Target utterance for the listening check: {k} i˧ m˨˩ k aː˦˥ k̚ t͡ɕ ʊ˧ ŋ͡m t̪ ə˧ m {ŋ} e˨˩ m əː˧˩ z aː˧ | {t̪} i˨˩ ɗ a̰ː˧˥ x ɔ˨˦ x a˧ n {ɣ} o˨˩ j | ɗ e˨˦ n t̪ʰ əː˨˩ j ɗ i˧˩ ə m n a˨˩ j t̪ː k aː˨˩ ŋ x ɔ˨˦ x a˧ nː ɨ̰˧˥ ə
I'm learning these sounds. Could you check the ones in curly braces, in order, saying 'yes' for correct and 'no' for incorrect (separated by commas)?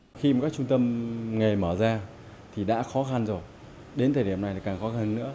no, yes, no, no